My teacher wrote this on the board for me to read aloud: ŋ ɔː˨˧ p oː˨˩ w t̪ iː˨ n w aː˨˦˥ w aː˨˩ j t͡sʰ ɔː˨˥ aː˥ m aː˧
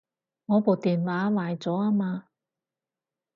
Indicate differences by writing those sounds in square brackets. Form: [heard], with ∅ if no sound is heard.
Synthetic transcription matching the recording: ŋ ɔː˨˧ p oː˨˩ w t̪ iː˨ n w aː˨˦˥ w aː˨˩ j [t͡s] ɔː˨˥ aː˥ m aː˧